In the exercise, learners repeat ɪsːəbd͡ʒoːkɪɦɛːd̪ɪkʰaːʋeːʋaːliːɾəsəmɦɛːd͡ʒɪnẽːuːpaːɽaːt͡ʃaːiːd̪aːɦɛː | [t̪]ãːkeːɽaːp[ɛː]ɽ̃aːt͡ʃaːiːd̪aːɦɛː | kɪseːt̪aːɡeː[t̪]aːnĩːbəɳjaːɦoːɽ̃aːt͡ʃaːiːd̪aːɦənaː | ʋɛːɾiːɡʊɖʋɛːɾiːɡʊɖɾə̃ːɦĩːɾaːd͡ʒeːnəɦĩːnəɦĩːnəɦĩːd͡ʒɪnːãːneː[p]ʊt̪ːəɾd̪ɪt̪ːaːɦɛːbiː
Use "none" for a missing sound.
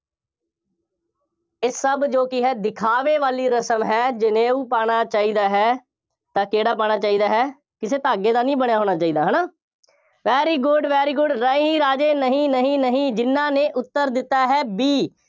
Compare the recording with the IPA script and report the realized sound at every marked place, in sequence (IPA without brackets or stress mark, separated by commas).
t̪, aː, d̪, ʔ